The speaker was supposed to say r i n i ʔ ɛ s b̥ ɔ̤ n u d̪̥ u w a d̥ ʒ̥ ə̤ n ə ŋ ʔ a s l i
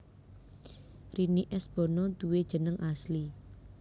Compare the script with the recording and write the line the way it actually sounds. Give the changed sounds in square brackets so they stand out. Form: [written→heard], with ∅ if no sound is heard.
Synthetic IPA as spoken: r i n i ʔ ɛ s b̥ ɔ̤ n [u→ɔ] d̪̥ u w [a→e] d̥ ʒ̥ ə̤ n ə ŋ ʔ a s l i